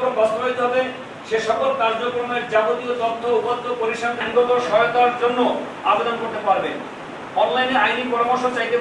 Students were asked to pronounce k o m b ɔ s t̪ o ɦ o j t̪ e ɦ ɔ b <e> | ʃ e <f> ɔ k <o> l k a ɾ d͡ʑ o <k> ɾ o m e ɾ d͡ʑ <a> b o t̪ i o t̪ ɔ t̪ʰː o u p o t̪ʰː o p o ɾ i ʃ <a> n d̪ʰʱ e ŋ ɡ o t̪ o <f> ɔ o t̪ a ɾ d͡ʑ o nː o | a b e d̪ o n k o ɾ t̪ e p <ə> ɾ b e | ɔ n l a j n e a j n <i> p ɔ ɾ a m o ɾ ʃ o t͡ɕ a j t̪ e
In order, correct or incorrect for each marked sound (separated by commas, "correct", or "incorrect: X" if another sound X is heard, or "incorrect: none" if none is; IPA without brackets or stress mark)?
correct, incorrect: ʃ, correct, correct, correct, correct, incorrect: ʃ, incorrect: a, correct